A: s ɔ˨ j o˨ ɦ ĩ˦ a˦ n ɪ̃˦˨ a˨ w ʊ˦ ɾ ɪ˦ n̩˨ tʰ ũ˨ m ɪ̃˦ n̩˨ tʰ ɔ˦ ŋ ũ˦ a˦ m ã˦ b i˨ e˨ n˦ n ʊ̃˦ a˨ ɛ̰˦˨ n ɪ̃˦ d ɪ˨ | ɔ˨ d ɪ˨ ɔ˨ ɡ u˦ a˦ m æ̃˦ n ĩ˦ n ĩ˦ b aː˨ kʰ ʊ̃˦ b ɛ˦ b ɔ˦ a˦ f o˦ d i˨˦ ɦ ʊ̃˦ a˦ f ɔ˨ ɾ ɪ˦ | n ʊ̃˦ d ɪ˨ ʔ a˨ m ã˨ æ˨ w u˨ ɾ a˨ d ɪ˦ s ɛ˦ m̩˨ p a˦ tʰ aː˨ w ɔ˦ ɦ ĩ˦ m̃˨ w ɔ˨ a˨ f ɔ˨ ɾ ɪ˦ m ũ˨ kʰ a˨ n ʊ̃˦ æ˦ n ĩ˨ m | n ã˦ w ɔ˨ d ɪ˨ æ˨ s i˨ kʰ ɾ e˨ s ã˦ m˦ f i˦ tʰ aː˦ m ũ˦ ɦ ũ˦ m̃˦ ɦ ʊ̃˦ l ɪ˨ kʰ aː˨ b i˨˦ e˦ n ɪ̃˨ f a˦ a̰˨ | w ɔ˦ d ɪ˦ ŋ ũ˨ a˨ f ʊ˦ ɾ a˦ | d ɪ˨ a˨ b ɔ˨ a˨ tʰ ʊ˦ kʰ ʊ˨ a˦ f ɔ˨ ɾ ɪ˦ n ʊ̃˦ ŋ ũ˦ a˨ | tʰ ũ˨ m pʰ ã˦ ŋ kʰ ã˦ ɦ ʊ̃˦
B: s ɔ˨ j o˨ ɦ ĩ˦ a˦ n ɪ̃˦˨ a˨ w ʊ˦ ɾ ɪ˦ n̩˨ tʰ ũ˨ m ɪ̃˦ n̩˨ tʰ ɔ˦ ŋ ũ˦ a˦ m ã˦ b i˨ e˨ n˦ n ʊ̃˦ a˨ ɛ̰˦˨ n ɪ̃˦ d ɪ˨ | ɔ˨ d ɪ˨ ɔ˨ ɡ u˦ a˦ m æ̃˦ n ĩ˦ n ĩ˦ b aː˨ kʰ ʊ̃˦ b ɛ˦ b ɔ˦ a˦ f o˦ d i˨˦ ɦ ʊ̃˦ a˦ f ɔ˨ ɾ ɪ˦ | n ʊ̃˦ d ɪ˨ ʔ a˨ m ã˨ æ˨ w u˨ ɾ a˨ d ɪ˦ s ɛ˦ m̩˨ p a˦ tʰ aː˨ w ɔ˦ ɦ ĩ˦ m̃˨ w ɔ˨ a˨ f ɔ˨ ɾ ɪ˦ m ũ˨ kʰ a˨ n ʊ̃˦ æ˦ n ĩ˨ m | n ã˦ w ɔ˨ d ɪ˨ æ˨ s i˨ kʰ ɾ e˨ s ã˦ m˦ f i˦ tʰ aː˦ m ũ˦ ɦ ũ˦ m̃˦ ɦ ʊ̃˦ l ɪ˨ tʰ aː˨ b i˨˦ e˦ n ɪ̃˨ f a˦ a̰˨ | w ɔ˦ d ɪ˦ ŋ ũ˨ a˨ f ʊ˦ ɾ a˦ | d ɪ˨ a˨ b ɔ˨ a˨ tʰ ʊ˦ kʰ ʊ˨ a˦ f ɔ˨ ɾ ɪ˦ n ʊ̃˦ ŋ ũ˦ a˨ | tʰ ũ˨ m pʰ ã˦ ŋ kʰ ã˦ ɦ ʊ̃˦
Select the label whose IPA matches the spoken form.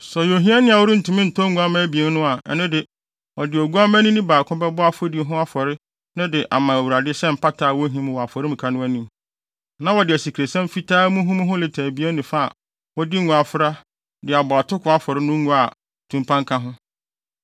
B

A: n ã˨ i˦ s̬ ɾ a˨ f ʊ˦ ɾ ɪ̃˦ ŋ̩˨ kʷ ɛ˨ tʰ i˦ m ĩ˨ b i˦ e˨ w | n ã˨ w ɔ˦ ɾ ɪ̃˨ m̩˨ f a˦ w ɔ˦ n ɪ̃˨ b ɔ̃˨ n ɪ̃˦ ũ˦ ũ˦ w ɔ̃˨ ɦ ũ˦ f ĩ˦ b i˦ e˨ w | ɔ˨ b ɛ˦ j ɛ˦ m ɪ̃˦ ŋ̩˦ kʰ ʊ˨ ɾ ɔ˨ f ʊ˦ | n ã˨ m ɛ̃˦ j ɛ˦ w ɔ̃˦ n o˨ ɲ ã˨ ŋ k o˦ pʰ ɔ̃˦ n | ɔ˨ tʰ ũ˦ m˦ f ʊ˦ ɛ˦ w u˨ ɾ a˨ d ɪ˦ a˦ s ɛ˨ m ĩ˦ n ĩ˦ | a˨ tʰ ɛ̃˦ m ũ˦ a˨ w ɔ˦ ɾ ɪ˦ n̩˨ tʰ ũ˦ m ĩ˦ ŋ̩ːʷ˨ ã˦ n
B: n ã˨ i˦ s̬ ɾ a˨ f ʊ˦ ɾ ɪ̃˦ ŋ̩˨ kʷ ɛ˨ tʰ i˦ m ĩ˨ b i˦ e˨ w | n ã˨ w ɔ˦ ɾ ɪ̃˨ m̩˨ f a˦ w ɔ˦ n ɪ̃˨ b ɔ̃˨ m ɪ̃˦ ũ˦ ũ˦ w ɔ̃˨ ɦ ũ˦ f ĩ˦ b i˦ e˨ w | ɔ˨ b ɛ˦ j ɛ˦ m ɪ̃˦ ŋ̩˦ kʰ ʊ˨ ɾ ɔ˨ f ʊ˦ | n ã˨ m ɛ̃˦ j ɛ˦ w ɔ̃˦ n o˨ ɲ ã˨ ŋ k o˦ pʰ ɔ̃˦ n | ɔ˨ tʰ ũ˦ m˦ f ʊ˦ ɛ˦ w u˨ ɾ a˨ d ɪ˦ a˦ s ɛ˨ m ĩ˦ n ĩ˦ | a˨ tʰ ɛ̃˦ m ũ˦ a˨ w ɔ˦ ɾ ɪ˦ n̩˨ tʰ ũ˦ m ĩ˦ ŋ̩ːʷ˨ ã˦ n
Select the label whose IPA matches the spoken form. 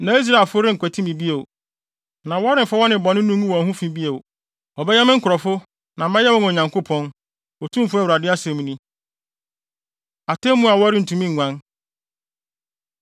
A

